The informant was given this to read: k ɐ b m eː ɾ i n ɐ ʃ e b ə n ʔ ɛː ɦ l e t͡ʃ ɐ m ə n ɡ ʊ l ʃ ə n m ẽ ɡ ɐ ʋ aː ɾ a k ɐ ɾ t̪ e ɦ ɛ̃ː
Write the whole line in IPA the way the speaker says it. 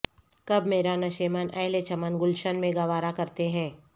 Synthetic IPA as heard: k ɐ b m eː ɾ a n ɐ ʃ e m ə n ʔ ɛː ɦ l e t͡ʃ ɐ m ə n ɡ ʊ l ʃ ə n m ẽ ɡ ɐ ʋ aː ɾ a k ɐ ɾ t̪ e ɦ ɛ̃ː